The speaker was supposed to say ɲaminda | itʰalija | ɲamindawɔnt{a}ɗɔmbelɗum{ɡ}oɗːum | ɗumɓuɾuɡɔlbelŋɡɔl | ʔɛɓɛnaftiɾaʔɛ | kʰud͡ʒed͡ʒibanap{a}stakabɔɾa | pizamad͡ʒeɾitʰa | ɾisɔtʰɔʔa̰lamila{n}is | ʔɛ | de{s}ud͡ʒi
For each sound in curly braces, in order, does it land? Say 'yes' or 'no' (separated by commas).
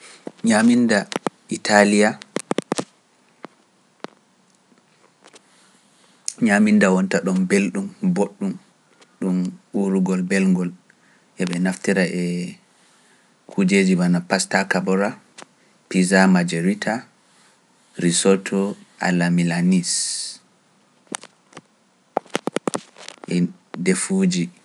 yes, no, yes, yes, no